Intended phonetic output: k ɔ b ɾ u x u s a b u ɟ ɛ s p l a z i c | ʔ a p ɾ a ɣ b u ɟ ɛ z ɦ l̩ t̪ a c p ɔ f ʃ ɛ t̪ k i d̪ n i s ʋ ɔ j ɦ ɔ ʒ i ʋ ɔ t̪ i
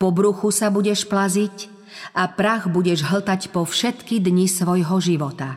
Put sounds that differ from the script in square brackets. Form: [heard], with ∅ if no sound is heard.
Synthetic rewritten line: [p] ɔ b ɾ u x u s a b u ɟ ɛ [ʃ] p l a z i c | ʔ a p ɾ a ɣ b u ɟ ɛ [ʒ] ɦ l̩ t̪ a c p ɔ f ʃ ɛ t̪ k i d̪ [ɲ] i s ʋ ɔ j ɦ ɔ ʒ i ʋ ɔ t̪ [a]